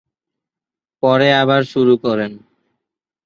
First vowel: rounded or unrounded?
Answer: rounded